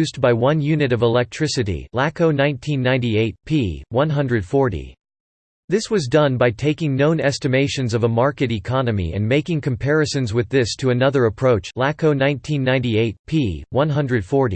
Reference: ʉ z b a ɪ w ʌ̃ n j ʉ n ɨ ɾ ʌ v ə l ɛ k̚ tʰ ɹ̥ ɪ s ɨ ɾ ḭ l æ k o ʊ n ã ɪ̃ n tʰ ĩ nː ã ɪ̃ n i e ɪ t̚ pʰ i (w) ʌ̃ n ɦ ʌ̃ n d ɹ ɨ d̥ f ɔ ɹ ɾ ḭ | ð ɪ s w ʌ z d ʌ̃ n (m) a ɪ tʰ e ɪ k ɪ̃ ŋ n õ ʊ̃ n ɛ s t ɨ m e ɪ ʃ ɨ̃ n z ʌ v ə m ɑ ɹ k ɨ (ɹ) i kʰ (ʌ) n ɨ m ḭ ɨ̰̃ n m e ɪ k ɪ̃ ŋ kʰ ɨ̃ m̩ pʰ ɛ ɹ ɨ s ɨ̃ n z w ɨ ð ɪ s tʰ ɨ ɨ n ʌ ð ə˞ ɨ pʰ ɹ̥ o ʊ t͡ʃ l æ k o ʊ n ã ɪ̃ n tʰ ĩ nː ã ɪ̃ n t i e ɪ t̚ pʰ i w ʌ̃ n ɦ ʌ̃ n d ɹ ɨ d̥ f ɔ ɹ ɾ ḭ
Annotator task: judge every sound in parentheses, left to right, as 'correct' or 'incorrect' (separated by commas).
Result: correct, incorrect, incorrect, incorrect